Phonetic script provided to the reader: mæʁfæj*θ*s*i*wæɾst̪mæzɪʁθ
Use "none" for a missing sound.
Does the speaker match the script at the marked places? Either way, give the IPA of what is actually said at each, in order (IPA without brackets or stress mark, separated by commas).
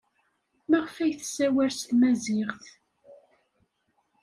θ, æ